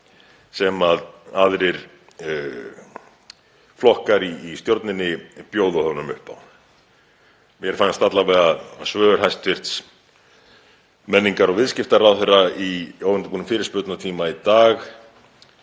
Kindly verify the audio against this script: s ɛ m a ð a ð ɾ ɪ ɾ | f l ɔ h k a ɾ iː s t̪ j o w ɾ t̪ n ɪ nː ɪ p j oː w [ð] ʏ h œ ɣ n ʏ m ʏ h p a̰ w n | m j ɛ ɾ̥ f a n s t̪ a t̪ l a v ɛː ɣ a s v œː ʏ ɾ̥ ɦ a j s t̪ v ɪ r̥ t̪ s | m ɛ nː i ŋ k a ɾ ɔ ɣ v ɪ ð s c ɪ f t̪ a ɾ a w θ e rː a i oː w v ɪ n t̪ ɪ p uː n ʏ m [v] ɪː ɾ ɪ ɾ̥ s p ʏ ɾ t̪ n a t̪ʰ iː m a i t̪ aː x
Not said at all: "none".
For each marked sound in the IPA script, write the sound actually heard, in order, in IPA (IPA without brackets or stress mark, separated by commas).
ð, f